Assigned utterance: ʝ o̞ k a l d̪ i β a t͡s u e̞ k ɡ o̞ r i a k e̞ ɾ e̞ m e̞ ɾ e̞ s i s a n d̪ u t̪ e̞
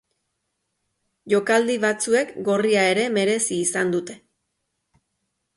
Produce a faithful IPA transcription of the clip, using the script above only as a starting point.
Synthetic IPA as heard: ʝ o̞ k a l d̪ i β a t͡s u e̞ k ɡ o̞ r i a e̞ ɾ e̞ m e̞ ɾ e̞ s iː s a n d̪ u t̪ e̞